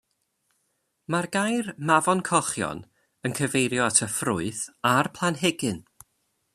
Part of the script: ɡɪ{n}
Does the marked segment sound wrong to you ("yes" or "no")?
no